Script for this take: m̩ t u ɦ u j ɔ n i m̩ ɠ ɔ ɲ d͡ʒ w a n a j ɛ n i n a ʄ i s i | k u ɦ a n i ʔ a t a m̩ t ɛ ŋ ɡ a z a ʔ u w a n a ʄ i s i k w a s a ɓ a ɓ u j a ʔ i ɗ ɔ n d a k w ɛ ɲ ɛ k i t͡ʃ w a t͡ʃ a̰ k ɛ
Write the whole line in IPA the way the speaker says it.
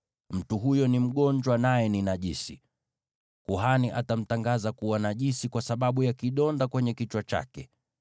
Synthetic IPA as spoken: m̩ t u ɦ u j ɔ n i m̩ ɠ ɔ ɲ d͡ʒ w a n a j ɛ n i n a ʄ i s i | k u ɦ a n i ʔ a t a m̩ t a ŋ ɡ a z a k u w a n a ʄ i s i k w a s a ɓ a ɓ u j a k i ɗ ɔ n d a k w ɛ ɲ ɛ k i t͡ʃ w a t͡ʃ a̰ k ɛ